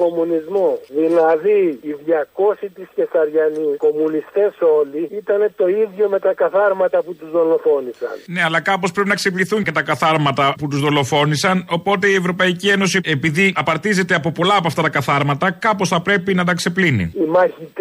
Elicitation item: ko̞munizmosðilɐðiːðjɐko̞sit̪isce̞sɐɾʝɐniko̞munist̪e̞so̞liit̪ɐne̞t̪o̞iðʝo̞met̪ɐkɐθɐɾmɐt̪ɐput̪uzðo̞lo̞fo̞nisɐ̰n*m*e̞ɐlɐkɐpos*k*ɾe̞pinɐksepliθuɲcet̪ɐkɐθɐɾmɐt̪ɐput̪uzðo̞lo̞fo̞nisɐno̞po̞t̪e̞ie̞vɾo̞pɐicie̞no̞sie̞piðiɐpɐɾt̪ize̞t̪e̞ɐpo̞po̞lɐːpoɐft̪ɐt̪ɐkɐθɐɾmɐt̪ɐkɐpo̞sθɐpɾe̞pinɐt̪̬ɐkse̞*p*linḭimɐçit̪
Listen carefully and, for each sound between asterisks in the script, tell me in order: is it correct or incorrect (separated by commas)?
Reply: incorrect, incorrect, correct